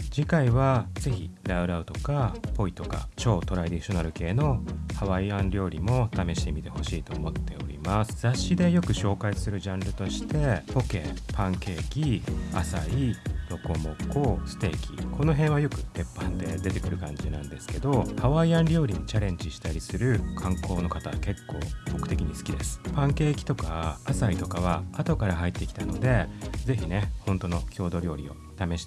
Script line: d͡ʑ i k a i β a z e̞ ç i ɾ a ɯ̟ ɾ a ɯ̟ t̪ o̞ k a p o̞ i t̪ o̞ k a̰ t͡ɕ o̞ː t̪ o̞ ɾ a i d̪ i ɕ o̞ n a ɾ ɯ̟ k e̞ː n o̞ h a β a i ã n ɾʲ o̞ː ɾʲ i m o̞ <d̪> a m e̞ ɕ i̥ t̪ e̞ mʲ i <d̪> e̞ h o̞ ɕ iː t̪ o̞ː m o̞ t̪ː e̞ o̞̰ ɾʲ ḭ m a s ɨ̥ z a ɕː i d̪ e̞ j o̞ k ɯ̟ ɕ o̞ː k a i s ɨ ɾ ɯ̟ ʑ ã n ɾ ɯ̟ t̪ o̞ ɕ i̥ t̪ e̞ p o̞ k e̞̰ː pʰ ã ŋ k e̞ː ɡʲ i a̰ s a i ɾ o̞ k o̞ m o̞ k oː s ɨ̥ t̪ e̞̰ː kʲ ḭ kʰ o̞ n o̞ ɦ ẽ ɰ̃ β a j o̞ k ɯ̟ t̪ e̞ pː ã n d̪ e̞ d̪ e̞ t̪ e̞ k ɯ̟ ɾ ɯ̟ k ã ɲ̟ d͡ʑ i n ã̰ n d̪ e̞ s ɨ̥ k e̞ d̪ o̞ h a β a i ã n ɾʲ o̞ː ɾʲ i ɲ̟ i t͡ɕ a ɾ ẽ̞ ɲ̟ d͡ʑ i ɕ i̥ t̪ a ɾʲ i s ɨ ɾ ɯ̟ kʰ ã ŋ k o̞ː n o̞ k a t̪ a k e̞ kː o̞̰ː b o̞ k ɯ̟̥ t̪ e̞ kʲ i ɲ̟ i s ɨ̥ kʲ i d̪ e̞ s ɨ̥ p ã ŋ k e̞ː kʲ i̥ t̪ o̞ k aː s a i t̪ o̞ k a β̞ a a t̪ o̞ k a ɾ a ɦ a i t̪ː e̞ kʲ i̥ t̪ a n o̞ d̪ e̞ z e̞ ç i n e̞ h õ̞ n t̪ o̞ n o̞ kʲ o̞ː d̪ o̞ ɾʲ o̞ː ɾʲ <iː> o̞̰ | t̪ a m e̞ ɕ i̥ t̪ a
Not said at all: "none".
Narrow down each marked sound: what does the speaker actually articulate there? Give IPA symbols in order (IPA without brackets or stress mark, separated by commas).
t̪, t̪, i